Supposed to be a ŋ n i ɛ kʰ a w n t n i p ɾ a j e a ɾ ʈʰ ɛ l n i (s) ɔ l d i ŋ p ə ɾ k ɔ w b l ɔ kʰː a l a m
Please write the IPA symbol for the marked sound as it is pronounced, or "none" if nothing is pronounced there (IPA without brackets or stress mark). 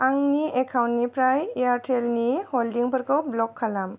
h